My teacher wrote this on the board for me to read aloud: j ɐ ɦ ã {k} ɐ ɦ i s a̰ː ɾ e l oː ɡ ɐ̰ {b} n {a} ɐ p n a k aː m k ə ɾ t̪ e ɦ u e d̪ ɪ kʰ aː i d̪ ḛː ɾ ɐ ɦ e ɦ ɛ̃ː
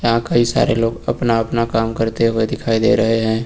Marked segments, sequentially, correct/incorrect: correct, incorrect: p, correct

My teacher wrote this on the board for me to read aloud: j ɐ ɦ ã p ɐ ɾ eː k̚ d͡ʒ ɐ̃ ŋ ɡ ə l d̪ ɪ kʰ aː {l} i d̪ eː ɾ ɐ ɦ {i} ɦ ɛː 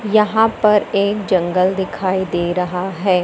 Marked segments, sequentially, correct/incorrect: incorrect: none, incorrect: a

